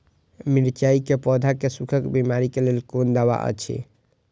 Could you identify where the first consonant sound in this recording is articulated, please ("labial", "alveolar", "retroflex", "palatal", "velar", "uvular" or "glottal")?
labial